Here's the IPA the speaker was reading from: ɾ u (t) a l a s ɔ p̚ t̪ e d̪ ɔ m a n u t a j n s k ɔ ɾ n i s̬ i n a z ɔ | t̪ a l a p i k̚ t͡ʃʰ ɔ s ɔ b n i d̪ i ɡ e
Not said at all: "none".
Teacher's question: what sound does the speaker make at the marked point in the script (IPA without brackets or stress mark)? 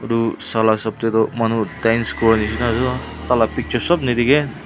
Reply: s